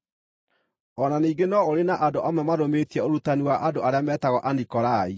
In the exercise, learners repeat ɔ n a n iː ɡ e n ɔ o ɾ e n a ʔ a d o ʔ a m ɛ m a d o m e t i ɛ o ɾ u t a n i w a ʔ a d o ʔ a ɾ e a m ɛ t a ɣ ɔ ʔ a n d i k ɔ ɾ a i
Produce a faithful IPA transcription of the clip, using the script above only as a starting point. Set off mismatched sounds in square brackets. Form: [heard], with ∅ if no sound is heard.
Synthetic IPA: ɔ n a n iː ɡ e n ɔ o ɾ e n a ʔ a d o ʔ a m ɛ m a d o m e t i ɛ o ɾ u t a n i w a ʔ a d o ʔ a ɾ e a m ɛ t a ɣ ɔ ʔ a n d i k ɔ ɾ a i